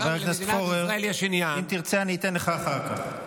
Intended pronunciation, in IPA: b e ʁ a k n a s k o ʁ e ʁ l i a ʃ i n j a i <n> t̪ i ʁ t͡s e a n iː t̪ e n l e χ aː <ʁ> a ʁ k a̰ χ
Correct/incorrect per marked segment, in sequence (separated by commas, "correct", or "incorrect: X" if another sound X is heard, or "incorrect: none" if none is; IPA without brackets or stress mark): incorrect: m, incorrect: χ